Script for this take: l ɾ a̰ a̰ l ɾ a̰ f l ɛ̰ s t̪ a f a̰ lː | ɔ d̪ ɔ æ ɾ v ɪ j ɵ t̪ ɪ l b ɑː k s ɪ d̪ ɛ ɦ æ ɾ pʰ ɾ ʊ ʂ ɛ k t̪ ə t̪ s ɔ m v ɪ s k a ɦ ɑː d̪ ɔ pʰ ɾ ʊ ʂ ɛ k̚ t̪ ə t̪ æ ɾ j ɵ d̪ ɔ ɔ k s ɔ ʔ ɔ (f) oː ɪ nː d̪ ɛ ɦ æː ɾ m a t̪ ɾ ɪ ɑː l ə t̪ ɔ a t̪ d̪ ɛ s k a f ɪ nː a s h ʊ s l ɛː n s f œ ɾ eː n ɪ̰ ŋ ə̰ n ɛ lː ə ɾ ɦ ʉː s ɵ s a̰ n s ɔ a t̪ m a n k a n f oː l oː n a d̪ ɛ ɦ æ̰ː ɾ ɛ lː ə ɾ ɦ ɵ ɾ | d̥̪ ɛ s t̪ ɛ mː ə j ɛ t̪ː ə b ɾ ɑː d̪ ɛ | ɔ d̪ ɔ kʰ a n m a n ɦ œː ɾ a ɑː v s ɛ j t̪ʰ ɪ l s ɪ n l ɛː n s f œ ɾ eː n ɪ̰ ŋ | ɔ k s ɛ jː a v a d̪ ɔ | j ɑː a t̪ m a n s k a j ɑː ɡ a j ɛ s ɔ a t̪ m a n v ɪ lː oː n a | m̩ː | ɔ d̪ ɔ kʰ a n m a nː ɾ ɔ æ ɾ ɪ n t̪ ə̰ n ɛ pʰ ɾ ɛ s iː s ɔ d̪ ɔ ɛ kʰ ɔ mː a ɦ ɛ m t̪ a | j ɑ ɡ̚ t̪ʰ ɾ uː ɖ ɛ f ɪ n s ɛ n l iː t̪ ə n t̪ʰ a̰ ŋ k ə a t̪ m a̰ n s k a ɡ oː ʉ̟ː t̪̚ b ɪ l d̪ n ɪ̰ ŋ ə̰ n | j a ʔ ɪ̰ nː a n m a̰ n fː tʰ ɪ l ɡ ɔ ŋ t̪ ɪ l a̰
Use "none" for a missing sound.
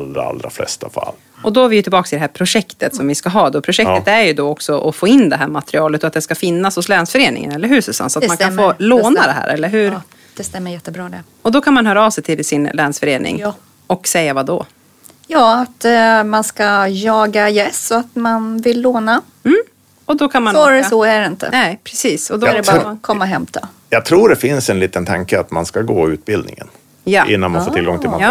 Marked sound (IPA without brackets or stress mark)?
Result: f